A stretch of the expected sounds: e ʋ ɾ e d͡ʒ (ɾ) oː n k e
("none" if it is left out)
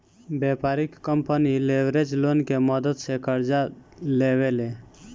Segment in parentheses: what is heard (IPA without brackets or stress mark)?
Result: l